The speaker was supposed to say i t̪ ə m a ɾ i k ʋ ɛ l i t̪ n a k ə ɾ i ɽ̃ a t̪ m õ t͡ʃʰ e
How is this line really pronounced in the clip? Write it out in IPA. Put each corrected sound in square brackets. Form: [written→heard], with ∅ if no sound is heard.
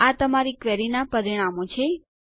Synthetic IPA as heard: [i→a] t̪ ə m a ɾ i k ʋ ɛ [l→ɾ] i [t̪→∅] n a [k→p] ə ɾ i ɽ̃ a [t̪→∅] m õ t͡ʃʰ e